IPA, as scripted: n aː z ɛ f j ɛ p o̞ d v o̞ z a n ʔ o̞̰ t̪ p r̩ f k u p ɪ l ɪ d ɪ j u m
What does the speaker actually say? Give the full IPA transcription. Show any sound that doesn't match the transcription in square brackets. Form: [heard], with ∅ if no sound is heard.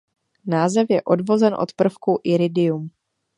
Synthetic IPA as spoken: n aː z ɛ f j ɛ [ʔ] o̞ d v o̞ z [ɛ] n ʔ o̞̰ t̪ p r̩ f k u [ʔ] ɪ [ɾ] ɪ d ɪ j u m